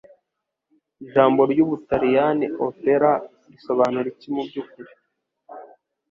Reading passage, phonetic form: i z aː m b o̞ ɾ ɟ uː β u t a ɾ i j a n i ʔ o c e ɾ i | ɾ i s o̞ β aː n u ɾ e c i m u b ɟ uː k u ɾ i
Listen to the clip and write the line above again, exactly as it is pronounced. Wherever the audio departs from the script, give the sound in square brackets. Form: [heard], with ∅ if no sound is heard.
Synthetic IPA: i [ʒ] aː m b o̞ ɾ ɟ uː β u t a ɾ i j a n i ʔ o [p] e ɾ [a] | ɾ i s o̞ β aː n u ɾ [i] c i m u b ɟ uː k u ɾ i